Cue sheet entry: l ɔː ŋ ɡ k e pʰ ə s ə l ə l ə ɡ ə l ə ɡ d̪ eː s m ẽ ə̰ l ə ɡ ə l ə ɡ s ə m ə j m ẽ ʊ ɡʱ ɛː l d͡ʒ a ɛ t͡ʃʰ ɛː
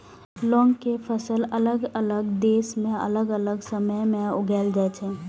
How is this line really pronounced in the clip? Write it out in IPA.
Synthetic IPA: l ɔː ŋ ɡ k e pʰ ə s ə l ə l ə ɡ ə l ə ɡ d̪ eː s m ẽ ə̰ l ə ɡ ə l ə ɡ s ə m ə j m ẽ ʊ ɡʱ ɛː l d͡ʒ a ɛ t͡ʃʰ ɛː